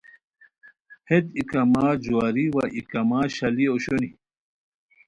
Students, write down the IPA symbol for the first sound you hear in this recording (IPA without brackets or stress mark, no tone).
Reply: h